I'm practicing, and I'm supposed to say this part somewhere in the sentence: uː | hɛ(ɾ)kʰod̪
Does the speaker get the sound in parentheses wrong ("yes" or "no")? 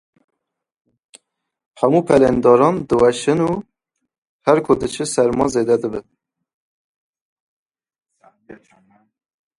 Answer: no